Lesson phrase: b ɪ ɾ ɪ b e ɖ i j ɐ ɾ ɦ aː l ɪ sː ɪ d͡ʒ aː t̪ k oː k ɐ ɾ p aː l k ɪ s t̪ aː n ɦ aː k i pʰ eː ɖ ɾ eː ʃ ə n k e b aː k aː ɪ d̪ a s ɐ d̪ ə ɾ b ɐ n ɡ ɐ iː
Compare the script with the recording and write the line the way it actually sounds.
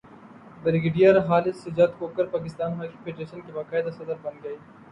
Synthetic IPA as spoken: b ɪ ɾ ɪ ɡ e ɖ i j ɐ ɾ ɦ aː l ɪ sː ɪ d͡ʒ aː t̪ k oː k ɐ ɾ p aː k ɪ s t̪ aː n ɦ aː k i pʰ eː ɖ ɾ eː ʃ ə n k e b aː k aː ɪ d̪ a s ɐ d̪ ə ɾ b ɐ n ɡ ɐ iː